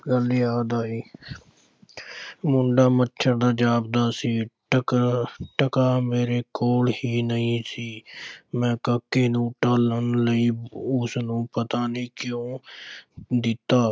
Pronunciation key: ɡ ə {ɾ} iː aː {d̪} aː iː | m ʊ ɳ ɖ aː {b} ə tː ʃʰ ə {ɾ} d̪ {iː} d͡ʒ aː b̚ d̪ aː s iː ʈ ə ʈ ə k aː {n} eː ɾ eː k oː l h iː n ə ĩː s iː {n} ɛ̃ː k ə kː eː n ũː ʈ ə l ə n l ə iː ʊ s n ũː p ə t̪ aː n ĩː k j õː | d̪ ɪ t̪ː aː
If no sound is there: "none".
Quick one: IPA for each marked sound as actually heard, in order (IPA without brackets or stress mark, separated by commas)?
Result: l, d̪, m, ɾ, aː, m, m